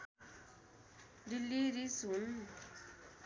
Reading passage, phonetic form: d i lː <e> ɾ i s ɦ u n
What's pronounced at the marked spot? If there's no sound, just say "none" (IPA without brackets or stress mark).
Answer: i